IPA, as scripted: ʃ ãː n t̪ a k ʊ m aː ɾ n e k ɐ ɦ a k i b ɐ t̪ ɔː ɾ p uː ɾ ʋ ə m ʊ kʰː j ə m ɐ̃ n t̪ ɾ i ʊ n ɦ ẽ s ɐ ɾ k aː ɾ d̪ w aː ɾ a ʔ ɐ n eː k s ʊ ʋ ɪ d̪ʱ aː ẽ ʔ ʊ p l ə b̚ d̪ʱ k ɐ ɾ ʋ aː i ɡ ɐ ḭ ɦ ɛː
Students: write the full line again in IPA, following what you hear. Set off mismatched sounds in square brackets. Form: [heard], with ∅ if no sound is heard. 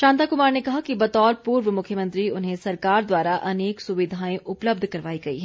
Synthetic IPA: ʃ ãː n t̪ a k ʊ m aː ɾ n e k ɐ ɦ a k i b ɐ t̪ ɔː ɾ p uː ɾ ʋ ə m ʊ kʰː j ə m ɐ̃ n t̪ ɾ i ʊ n ɦ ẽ s ɐ ɾ k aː ɾ d̪ w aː ɾ a ʔ ɐ n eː k s ʊ ʋ ɪ d̪ʱ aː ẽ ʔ ʊ p l ə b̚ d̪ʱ k ɐ ɾ ʋ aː i ɡ ɐ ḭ ɦ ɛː

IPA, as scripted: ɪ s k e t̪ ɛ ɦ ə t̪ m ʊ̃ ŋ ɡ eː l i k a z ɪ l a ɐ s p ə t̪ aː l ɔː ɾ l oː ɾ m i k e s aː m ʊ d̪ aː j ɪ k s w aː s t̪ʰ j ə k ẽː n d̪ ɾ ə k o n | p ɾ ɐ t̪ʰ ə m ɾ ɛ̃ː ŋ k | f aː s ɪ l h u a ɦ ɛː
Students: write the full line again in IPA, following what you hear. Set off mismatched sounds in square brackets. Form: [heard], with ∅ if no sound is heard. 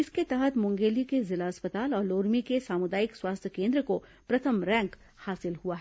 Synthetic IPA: ɪ s k e t̪ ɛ ɦ ə t̪ m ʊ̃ ŋ ɡ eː l i k [e] z ɪ l a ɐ s p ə t̪ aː l ɔː ɾ l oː ɾ m i k e s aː m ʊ d̪ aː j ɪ k s w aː s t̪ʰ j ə k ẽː n d̪ ɾ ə k o [∅] | p ɾ ɐ t̪ʰ ə m ɾ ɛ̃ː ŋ k | [h] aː s ɪ l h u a ɦ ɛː

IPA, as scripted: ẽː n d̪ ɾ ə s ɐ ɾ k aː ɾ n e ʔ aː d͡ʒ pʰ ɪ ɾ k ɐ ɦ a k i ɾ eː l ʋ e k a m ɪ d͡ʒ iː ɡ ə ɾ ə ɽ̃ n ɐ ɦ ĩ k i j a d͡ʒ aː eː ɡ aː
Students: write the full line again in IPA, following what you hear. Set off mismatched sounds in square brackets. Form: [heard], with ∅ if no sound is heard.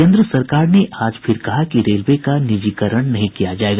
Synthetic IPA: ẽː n d̪ ɾ ə s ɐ ɾ k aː ɾ n e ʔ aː d͡ʒ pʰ ɪ ɾ k ɐ ɦ a k i ɾ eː l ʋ e k a [n] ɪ d͡ʒ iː [k] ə ɾ ə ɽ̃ n ɐ ɦ ĩ k i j a d͡ʒ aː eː ɡ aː

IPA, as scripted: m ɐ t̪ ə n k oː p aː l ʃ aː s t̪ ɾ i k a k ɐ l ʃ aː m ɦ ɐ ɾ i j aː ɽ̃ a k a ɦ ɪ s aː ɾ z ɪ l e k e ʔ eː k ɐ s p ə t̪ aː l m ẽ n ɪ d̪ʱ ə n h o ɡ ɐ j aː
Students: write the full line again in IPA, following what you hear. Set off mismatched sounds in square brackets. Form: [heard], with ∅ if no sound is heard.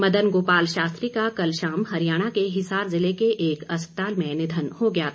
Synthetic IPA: m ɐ [d̪] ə n [ɡ] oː p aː l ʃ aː s t̪ ɾ i k a k ɐ l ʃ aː m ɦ ɐ ɾ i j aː ɽ̃ a k [e] ɦ ɪ s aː ɾ z ɪ l e k e ʔ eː k ɐ s p ə t̪ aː l m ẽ n ɪ d̪ʱ ə n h o ɡ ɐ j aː

